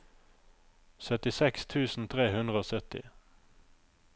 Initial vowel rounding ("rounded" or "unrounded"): rounded